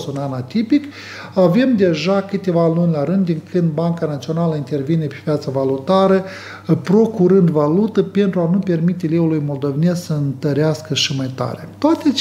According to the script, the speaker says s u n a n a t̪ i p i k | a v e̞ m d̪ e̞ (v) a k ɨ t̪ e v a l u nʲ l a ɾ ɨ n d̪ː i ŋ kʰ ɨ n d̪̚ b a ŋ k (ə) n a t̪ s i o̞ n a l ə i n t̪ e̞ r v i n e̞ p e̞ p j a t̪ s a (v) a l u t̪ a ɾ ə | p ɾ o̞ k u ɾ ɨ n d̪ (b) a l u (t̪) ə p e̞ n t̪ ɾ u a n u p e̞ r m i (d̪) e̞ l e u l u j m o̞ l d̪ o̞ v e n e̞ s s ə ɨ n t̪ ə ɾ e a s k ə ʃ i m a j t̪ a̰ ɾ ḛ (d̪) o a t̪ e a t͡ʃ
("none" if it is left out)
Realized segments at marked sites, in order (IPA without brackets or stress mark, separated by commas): ʒ, a, v, v, t̪, t̪, t̪